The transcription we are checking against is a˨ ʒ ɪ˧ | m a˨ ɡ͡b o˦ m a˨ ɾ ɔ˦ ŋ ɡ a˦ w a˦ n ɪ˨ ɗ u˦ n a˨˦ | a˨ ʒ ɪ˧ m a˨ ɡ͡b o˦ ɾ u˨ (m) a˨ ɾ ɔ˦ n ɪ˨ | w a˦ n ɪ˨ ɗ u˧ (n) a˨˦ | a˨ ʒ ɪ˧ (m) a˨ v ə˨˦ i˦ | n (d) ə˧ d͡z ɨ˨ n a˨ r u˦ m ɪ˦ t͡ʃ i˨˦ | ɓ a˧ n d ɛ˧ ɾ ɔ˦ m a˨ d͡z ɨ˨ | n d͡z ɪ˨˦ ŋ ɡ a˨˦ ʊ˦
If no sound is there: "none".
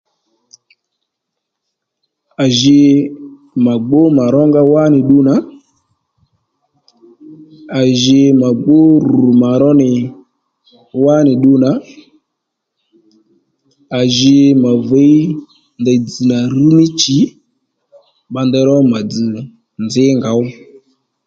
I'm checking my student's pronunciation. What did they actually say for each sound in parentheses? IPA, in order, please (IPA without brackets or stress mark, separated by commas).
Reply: m, n, m, d